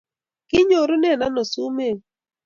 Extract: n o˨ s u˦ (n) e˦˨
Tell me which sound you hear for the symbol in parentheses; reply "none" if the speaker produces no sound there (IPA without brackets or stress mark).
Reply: m